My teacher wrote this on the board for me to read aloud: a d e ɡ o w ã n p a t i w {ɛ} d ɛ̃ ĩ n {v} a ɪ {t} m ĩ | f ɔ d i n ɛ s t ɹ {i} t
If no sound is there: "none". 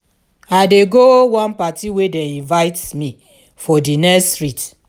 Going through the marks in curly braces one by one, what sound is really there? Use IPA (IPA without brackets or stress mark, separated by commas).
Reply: e, v, t, i